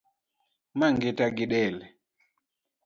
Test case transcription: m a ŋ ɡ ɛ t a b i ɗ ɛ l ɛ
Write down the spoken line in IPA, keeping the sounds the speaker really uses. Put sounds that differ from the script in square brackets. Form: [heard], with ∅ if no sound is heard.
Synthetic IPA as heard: m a ŋ ɡ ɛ t a [ɡ] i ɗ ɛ l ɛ